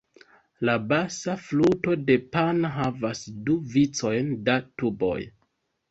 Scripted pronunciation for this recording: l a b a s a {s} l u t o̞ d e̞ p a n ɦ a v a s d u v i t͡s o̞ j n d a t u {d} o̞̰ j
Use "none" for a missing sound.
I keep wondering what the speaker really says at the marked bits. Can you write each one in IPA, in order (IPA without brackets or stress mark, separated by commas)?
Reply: f, b